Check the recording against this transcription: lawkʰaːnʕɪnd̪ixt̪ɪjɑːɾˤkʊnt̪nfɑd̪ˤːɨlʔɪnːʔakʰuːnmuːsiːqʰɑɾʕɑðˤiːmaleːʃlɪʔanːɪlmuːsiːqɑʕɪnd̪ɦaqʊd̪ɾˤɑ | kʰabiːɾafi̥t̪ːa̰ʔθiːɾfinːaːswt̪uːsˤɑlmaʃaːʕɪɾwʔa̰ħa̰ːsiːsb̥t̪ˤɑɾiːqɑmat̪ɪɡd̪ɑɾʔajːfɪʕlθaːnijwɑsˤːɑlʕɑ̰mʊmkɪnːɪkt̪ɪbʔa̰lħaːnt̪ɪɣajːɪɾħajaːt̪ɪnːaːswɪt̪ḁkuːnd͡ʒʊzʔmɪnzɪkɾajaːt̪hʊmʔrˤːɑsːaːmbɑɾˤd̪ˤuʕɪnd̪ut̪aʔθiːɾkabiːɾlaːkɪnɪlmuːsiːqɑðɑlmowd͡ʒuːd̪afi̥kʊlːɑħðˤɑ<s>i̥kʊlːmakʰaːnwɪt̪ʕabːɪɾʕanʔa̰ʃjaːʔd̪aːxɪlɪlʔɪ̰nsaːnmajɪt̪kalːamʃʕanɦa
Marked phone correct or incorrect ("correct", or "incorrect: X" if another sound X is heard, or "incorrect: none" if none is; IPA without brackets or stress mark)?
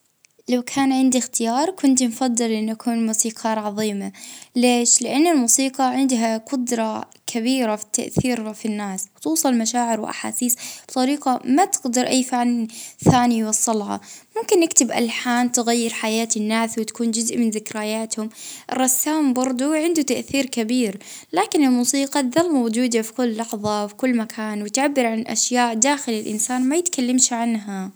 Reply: incorrect: f